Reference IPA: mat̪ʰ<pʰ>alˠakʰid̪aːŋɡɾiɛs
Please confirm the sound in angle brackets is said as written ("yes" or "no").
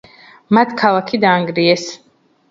no